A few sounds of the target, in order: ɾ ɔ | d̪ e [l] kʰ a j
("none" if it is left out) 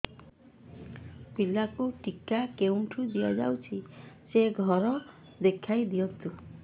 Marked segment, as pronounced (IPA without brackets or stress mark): none